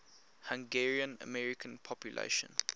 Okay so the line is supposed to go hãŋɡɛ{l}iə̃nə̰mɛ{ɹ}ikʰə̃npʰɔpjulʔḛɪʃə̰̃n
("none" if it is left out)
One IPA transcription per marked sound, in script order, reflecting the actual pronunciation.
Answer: ɹ, ɹ

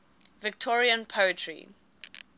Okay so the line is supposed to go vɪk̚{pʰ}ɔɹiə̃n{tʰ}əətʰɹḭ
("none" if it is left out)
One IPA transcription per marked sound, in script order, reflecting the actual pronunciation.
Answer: tʰ, pʰ

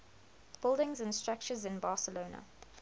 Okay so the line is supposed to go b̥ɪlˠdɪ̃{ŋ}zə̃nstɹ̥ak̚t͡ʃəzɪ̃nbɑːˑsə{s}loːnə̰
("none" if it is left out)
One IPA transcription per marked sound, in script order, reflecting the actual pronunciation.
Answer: ŋ, none

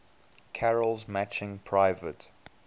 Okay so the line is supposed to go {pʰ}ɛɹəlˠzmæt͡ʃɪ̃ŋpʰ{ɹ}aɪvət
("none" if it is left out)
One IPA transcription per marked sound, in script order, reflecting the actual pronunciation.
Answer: kʰ, ɹ

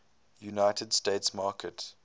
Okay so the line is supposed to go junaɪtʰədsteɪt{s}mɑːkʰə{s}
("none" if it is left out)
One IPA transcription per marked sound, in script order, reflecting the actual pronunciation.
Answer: s, t

